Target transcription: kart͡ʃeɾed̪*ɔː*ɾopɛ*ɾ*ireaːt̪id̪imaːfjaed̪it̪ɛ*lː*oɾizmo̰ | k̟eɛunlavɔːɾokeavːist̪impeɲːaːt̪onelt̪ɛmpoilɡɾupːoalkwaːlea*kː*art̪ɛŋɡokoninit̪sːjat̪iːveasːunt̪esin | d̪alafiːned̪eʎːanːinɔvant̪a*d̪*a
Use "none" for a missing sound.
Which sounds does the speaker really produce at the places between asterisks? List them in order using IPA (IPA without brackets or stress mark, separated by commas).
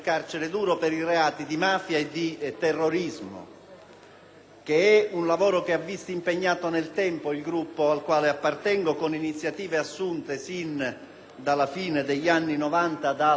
uː, ɾ, rː, pː, d̪